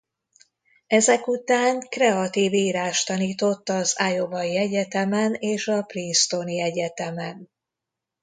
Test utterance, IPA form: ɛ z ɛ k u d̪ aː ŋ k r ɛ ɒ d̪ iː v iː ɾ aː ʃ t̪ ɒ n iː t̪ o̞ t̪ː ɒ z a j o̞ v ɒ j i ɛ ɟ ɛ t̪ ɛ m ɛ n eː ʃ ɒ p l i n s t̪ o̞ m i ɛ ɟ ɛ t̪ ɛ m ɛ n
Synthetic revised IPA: ɛ z ɛ k u t̪ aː ŋ k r ɛ ɒ t̪ iː v iː ɾ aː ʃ t̪ ɒ n iː t̪ o̞ t̪ː ɒ z a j o̞ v ɒ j i ɛ ɟ ɛ t̪ ɛ m ɛ n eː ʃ ɒ p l i n s t̪ o̞ n i ɛ ɟ ɛ t̪ ɛ m ɛ n